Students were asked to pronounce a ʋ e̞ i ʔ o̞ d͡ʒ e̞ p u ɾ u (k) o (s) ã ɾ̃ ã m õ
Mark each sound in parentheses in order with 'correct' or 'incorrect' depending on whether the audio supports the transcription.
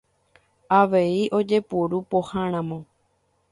incorrect: p, incorrect: h

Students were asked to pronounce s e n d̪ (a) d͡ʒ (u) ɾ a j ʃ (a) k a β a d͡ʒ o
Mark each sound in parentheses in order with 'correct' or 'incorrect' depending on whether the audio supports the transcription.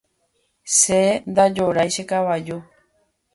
correct, incorrect: o, incorrect: e

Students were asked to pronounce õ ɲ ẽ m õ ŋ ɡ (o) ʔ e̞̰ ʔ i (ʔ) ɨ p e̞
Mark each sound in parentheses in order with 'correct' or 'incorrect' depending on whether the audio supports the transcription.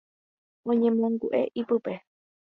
incorrect: u, incorrect: p

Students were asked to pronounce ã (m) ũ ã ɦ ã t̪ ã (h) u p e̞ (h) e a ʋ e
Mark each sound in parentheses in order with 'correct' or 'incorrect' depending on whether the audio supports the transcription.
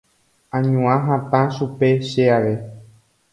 incorrect: ɲ, incorrect: ʃ, incorrect: ʃ

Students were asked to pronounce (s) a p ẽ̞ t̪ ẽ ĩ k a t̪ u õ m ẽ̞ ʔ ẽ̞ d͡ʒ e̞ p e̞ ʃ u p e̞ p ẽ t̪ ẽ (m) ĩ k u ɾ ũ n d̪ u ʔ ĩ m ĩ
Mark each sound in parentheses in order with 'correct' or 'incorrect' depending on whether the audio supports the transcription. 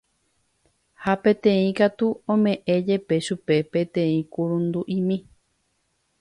incorrect: h, incorrect: none

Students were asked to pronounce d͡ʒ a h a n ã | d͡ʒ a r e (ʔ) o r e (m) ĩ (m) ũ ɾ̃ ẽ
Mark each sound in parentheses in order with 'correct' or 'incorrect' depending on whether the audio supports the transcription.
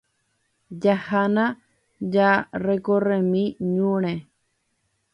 incorrect: k, correct, incorrect: ɲ

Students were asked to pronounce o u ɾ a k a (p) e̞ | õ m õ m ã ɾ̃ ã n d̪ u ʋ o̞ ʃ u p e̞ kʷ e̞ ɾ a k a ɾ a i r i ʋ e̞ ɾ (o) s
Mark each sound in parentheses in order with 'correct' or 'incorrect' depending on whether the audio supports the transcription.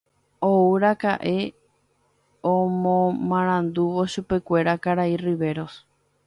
incorrect: ʔ, correct

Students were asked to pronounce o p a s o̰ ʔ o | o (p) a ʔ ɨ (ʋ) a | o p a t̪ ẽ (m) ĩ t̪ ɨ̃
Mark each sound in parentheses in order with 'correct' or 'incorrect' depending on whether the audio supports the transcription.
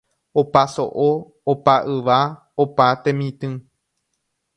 correct, correct, correct

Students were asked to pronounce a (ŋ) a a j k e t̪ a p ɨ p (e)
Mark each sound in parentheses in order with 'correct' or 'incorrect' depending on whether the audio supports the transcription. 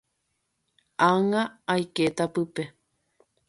correct, correct

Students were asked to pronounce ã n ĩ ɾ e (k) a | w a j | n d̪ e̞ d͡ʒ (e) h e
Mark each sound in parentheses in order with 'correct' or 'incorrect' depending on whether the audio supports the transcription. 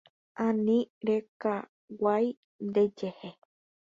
correct, correct

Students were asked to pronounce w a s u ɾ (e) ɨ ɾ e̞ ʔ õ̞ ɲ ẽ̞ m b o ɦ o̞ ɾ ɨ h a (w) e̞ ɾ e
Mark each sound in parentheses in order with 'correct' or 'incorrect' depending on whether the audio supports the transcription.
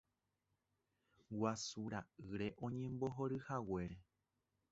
incorrect: a, correct

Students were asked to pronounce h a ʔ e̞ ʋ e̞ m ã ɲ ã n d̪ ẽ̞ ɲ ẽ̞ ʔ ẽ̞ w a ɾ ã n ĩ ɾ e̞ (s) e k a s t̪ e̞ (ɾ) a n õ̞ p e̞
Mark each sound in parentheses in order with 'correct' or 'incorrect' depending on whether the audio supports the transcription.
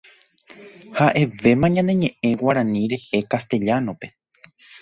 incorrect: h, incorrect: ʎ

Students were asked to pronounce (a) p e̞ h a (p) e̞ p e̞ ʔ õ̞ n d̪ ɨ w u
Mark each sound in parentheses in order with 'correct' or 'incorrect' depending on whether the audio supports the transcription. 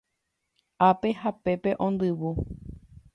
correct, correct

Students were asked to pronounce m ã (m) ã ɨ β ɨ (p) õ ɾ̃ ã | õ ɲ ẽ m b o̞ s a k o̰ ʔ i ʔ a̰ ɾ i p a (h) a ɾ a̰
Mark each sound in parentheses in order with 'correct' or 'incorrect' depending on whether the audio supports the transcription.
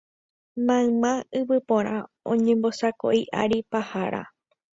correct, correct, correct

